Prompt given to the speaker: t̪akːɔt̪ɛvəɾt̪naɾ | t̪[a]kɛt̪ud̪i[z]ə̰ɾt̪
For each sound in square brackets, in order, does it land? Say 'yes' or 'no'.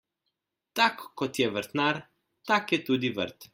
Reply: yes, no

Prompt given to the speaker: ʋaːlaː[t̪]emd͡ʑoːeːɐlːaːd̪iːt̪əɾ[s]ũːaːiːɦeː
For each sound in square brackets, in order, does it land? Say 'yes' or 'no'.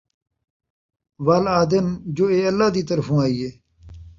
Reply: no, no

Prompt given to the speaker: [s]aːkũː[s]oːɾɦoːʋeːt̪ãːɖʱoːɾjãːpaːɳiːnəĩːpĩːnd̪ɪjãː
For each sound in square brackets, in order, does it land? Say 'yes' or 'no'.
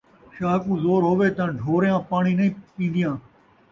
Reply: no, no

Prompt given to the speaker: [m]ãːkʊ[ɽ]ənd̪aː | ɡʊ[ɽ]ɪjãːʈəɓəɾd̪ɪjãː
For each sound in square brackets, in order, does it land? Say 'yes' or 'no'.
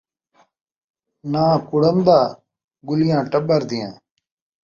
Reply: no, yes, no

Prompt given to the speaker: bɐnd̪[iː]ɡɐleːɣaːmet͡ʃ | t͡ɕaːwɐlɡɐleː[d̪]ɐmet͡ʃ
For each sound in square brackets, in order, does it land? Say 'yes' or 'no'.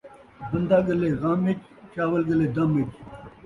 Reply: no, yes

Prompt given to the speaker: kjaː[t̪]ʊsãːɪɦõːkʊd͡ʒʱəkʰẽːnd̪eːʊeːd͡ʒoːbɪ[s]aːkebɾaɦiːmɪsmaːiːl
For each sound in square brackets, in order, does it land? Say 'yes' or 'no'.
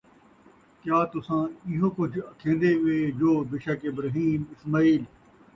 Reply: yes, no

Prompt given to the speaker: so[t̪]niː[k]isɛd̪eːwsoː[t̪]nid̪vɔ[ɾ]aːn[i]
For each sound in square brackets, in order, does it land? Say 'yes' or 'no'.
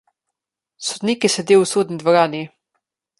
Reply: no, yes, no, yes, yes

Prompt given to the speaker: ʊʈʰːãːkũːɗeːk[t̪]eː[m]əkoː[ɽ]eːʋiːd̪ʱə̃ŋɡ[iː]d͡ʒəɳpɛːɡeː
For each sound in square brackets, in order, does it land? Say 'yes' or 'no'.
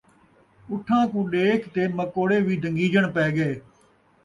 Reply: yes, yes, yes, yes

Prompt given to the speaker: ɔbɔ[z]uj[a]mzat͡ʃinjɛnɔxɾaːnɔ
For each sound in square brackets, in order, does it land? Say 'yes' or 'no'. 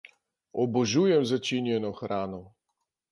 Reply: no, no

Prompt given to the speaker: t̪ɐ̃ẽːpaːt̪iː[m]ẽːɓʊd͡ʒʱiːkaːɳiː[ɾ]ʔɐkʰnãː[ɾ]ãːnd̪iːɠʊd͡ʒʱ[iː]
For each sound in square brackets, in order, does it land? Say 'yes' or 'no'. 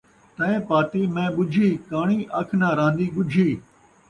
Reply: yes, no, yes, yes

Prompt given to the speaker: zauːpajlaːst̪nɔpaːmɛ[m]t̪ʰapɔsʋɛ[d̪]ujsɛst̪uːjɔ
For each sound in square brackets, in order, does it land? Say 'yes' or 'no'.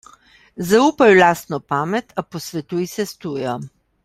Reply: no, no

